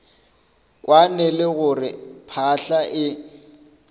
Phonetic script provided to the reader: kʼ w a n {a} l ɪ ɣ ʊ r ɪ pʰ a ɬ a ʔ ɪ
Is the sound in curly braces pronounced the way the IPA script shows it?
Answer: no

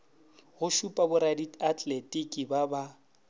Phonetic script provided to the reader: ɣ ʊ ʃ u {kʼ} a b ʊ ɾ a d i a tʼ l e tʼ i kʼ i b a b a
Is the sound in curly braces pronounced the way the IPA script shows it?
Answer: no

